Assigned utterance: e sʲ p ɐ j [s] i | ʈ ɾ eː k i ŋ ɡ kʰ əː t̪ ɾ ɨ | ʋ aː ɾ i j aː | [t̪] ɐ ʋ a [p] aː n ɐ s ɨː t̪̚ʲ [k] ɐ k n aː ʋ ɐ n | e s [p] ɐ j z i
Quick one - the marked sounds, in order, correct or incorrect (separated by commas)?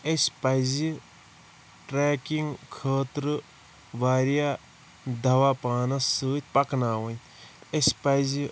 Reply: incorrect, incorrect, correct, incorrect, correct